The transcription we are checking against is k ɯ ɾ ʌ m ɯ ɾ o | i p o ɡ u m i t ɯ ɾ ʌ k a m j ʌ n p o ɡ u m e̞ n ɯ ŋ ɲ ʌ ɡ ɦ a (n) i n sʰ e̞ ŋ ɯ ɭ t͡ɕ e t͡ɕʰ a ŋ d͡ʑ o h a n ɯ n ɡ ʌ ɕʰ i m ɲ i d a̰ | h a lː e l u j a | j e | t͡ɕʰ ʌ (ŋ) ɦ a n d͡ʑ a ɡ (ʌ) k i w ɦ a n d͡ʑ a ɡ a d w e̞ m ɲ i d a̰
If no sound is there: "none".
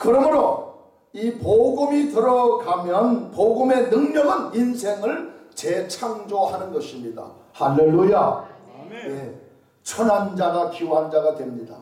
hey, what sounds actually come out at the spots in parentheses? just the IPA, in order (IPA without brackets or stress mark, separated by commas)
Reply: n, n, a